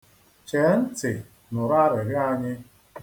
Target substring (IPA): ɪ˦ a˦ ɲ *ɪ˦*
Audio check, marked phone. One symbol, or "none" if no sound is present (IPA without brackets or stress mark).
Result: ɪ˦